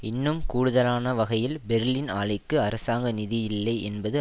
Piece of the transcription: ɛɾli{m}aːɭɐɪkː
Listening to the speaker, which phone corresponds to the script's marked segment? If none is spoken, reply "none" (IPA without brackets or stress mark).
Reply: n